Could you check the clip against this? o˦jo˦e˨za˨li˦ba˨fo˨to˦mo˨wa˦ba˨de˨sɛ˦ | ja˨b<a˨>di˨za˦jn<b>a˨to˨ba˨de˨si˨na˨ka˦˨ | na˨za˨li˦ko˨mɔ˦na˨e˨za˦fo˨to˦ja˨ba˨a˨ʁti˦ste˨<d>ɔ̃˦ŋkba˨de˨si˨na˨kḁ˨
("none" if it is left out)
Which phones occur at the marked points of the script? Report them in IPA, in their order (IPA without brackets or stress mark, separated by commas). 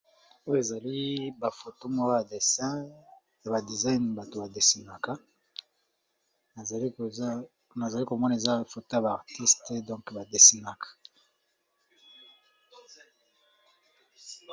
a˨, b, d